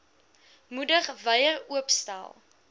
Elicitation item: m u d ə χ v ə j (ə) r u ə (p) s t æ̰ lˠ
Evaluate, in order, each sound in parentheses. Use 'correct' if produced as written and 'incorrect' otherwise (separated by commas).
correct, correct